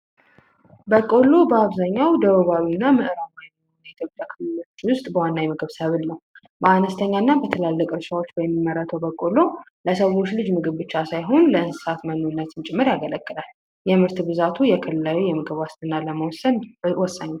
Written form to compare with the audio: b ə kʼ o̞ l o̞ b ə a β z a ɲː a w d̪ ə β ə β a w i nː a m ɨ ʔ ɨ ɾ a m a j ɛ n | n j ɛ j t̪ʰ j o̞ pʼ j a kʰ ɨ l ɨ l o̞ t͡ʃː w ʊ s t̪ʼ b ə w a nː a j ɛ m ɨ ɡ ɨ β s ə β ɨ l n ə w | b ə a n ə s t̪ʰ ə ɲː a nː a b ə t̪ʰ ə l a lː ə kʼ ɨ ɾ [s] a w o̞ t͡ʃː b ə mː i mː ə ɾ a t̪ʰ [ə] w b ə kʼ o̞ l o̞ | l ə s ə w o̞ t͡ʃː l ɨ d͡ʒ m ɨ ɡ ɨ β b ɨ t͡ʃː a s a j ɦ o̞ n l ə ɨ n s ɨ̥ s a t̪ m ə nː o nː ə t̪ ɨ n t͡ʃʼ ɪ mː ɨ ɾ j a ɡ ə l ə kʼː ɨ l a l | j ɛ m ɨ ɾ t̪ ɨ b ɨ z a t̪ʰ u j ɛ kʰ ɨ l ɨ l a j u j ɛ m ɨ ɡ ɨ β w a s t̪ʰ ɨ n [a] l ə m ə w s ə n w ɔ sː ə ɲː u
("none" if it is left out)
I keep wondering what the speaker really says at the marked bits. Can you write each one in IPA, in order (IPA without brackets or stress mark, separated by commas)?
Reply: ʃ, ə, a